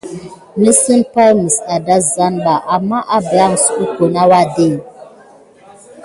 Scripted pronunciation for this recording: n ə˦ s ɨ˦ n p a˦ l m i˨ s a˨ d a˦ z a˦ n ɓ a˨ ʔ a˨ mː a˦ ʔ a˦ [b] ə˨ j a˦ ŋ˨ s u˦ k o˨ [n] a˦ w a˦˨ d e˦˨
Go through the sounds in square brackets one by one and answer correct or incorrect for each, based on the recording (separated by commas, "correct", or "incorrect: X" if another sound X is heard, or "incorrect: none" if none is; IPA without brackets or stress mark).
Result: correct, correct